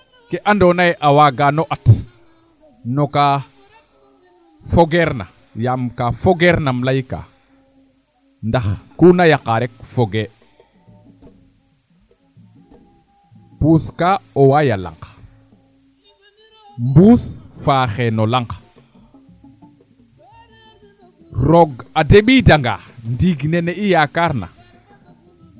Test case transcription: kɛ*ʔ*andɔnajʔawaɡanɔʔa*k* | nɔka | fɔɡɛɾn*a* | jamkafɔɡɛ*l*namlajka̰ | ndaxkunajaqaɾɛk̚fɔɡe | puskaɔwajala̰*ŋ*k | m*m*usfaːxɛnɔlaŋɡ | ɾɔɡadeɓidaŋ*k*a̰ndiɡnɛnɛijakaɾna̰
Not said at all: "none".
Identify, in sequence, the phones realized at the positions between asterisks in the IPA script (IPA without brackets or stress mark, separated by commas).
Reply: ʔ, t, a, ɾ, ŋ, b, ɡ